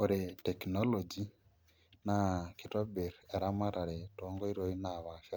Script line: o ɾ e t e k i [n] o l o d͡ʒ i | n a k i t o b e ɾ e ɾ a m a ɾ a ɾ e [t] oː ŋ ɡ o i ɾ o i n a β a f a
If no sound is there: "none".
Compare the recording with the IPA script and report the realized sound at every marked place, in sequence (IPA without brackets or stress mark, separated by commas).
n, t